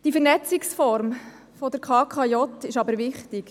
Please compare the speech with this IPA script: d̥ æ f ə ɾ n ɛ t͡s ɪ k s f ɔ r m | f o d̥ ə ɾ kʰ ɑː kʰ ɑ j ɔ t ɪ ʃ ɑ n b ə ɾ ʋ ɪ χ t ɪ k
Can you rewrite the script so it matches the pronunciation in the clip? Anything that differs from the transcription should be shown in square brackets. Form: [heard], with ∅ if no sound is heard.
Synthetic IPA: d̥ [i] f ə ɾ n ɛ t͡s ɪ k s f ɔ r m | f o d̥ ə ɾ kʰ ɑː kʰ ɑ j ɔ t ɪ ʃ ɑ [∅] b ə ɾ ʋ ɪ χ t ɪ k